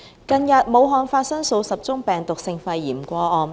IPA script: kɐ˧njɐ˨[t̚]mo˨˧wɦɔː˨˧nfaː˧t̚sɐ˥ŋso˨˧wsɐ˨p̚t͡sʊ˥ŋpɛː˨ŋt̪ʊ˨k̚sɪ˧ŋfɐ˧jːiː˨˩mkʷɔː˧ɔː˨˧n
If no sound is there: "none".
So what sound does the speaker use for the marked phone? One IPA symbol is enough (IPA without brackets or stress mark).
t̚